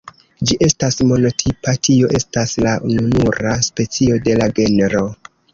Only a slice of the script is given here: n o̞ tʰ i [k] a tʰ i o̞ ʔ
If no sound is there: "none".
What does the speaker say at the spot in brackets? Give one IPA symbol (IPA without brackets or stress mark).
p